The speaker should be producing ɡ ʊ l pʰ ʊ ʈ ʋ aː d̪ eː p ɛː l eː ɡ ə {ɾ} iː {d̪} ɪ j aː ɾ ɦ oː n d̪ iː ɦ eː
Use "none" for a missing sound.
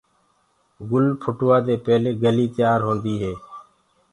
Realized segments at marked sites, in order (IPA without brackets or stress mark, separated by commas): l, t̪